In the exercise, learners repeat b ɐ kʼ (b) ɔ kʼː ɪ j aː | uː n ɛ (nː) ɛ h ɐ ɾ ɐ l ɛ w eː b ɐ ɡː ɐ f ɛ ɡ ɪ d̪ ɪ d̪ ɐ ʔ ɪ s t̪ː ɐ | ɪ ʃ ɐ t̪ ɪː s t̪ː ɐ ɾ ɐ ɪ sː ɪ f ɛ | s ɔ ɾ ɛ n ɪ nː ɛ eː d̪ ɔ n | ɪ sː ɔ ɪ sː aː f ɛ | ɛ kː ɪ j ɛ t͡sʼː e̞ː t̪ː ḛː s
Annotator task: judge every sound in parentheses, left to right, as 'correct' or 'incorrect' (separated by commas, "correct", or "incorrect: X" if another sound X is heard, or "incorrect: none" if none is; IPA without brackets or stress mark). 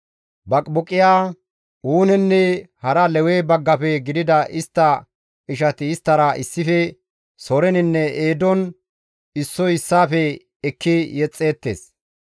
correct, correct